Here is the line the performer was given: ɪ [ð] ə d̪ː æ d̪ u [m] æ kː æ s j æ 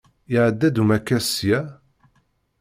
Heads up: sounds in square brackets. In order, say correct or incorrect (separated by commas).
incorrect, correct